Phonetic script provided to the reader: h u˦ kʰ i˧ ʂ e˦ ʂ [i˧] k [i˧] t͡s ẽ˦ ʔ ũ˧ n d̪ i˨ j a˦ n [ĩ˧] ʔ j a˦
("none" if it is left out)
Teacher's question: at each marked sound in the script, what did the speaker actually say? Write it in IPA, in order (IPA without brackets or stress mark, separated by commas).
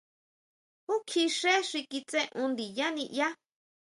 i˧, i˧, ĩ˧